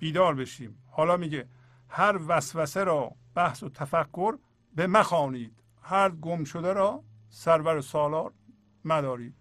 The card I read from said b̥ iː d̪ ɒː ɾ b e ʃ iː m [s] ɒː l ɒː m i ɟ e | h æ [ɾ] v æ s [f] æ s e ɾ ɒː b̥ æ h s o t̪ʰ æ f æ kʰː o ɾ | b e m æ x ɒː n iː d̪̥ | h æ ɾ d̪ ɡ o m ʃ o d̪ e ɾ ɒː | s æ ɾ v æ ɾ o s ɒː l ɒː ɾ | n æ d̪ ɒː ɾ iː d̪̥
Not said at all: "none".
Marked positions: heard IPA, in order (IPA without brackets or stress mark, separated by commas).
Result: h, ɾ, v